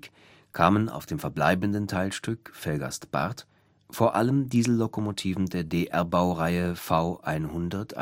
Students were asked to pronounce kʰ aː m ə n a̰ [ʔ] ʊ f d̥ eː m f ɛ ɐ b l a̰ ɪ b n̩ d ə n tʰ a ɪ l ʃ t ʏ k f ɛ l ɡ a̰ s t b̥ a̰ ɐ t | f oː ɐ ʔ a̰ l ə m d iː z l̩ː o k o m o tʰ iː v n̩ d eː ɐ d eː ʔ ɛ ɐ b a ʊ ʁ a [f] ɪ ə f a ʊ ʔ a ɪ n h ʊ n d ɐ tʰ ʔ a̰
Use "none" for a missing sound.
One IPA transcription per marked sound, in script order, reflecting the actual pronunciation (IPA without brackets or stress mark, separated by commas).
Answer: none, none